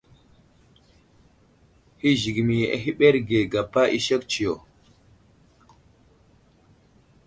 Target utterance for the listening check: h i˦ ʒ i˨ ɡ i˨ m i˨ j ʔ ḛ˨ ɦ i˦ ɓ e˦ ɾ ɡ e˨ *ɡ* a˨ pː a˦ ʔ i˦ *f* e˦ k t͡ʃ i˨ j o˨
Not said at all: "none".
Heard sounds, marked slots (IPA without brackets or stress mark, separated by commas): ɡ, ʃ